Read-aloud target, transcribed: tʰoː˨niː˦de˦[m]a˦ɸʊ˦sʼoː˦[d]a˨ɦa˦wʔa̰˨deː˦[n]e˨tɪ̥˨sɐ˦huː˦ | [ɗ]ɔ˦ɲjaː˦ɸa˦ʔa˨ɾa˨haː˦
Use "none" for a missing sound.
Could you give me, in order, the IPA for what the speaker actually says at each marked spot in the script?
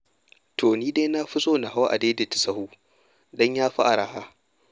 n, n, d, d

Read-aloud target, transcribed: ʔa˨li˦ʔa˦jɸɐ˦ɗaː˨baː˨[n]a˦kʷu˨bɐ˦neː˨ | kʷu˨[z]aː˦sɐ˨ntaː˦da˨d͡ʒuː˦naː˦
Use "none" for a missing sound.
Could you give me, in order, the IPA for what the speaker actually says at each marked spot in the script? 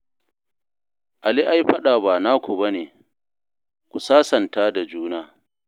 n, s

